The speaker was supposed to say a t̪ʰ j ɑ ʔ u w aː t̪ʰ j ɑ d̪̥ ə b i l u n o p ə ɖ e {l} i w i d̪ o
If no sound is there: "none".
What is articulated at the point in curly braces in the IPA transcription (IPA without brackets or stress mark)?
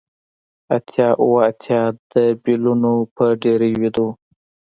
ɾ